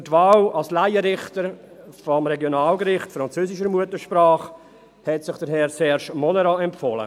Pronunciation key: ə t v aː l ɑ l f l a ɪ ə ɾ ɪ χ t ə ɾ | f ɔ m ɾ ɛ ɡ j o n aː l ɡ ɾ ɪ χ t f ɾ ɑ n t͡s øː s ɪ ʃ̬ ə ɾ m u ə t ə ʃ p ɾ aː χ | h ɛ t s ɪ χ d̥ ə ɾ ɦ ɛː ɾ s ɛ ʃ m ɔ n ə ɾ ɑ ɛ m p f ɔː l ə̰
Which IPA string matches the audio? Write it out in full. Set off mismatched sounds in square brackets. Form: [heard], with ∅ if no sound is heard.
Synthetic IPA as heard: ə t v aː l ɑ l [s] l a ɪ ə ɾ ɪ χ t ə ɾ | f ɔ m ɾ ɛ ɡ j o n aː l ɡ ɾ ɪ χ t f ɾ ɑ n t͡s øː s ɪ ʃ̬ ə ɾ m u ə t ə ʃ p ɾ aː χ | h ɛ t s ɪ χ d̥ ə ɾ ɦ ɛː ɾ s ɛ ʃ m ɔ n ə ɾ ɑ ɛ m p f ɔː l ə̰